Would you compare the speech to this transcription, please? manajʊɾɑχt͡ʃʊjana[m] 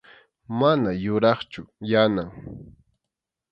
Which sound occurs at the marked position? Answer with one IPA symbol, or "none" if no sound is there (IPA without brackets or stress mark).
ŋ